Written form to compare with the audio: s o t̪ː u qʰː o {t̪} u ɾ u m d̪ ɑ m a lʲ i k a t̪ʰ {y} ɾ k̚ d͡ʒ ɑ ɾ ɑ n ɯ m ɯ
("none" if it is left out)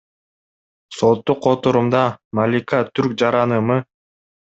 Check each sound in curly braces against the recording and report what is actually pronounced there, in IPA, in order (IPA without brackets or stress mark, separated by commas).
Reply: t̪, y